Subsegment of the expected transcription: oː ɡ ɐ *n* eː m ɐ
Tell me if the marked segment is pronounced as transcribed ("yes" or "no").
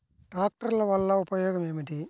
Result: no